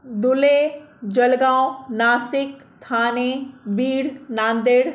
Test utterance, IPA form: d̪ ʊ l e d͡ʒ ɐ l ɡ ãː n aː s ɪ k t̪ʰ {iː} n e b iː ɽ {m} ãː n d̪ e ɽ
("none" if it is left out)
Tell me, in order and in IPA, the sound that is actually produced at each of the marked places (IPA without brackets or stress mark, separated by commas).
aː, n